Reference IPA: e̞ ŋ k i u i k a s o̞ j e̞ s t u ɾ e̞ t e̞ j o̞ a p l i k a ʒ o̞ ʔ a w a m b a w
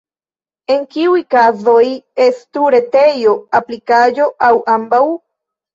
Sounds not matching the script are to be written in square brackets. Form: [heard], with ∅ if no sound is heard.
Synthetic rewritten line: e̞ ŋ k i u [j] k a [z] o̞ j e̞ s t u ɾ e̞ t e̞ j o̞ a p l i k a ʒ o̞ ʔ a w a m b a w